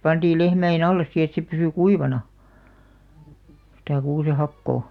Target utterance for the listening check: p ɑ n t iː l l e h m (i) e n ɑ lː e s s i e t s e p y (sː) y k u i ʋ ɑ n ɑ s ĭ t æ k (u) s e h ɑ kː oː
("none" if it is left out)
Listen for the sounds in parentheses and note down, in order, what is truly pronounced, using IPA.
æ, s, uː

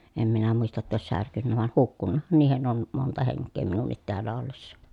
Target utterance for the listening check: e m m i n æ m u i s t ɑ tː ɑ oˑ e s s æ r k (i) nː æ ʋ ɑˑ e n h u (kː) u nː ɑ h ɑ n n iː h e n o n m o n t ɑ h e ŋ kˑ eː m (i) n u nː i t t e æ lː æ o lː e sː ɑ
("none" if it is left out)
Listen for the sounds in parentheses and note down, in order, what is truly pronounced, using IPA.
y, kː, i

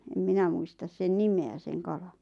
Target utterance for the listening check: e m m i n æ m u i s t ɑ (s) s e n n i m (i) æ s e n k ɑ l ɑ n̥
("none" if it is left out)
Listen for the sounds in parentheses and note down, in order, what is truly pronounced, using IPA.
s, e

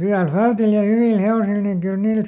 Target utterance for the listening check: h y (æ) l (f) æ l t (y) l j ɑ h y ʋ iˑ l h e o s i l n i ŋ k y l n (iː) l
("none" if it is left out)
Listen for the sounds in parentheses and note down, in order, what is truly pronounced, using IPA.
æ, f, i, iː

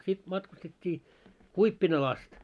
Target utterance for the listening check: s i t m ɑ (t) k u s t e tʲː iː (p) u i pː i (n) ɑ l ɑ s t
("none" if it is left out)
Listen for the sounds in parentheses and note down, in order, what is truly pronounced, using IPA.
t, k, n

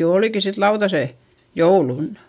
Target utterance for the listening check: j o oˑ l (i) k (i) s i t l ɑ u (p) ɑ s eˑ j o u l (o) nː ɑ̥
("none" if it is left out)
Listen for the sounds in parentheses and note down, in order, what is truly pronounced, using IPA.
i, i, t, u

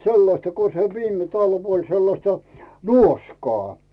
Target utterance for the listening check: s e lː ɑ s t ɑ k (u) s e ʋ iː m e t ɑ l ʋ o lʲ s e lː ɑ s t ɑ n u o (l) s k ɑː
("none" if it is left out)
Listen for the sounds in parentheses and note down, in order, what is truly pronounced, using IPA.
o, none

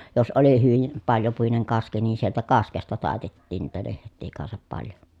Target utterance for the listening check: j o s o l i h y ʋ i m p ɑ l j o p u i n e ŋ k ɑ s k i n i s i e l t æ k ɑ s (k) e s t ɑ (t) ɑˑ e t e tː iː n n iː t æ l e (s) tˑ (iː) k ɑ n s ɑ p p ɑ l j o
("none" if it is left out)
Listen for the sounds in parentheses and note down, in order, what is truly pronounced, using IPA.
k, t, h, iː

